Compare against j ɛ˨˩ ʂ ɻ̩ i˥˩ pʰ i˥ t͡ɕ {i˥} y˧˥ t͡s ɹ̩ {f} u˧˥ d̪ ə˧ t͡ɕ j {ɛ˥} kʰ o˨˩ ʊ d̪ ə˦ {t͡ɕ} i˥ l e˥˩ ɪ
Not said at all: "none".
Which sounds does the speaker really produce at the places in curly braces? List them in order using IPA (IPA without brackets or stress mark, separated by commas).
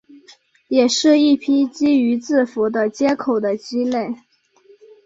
i˥, f, ɛ˥, t͡ɕ